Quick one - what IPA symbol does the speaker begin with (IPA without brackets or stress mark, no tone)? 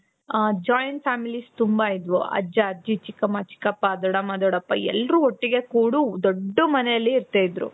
d͡ʒ